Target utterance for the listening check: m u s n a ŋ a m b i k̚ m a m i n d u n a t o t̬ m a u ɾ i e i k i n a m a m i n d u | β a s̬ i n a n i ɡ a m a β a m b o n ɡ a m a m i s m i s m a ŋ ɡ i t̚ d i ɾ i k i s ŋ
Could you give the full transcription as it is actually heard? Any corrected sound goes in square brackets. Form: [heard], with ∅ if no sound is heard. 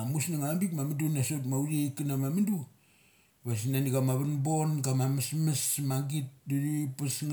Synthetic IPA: m u s n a ŋ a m b i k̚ m a m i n d u n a [s] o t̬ m a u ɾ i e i k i n a m a m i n d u | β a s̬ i n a n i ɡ a m a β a [n] b o n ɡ a m a m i s m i s m a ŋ ɡ i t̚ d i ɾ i [p] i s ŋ